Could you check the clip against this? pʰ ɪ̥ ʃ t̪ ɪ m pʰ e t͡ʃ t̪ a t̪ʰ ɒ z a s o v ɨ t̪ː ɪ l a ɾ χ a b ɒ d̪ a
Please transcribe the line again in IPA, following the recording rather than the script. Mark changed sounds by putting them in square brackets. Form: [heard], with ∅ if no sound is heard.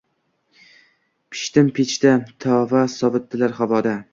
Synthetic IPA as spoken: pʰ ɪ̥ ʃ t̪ ɪ m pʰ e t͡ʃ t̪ a t̪ʰ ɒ [v] a s [ɒ] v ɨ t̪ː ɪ l a ɾ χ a [v] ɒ d̪ a